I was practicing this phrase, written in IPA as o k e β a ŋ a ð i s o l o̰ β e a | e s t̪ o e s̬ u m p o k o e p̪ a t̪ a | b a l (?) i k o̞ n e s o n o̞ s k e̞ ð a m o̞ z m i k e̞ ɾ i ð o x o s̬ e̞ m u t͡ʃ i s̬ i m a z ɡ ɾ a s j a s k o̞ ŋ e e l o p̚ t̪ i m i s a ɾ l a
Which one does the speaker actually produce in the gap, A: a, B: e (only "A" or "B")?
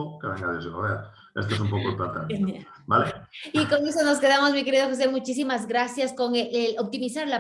B